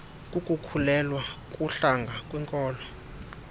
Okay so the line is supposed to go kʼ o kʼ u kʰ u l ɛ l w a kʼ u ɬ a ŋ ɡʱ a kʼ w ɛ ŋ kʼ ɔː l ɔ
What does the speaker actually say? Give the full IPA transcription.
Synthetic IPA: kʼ u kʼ u kʰ u l ɛ l w a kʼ u ɬ a ŋ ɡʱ a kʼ w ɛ ŋ kʼ ɔː l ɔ